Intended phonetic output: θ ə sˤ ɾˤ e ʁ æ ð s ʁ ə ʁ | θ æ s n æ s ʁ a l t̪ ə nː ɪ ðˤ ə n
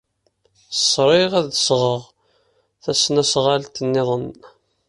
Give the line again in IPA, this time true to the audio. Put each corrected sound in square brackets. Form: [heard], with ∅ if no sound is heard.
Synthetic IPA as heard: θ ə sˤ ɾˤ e ʁ æ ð s ʁ ə ʁ | θ æ s n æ s ʁ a l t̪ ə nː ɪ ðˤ ə n